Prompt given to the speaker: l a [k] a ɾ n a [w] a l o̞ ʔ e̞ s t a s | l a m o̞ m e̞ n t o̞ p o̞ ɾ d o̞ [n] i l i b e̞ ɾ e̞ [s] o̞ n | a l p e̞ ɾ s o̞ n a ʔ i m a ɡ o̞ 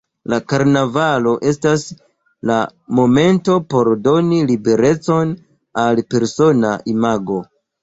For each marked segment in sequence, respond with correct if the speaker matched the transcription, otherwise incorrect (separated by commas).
correct, incorrect, correct, incorrect